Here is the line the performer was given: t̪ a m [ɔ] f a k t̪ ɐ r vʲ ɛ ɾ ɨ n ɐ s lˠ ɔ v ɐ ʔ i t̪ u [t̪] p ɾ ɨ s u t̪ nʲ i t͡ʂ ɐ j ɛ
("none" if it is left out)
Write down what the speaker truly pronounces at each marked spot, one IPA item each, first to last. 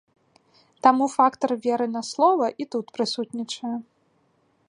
u, t̪

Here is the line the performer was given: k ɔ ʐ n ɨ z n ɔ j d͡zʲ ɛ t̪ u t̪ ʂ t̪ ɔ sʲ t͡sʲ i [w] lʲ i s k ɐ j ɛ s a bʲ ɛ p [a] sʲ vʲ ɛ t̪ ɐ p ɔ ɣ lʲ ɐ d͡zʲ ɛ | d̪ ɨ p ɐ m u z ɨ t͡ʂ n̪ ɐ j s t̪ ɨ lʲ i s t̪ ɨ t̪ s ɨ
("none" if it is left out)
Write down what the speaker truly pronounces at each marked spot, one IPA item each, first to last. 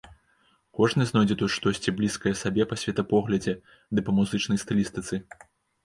b, ɐ

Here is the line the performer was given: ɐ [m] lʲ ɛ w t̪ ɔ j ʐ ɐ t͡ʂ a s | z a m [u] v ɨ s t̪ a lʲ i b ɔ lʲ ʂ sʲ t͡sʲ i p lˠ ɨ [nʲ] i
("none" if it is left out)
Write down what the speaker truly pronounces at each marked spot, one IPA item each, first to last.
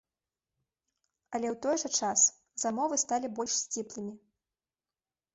none, ɔ, mʲ

